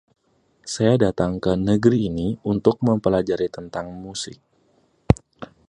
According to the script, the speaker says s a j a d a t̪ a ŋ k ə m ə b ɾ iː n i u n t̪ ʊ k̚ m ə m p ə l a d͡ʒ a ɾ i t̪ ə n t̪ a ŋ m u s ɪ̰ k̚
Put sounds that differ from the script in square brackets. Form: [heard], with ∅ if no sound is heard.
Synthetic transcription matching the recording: s a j a d a t̪ a ŋ k ə [n] ə [ɡ] ɾ iː n i u n t̪ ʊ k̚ m ə m p ə l a d͡ʒ a ɾ i t̪ ə n t̪ a ŋ m u s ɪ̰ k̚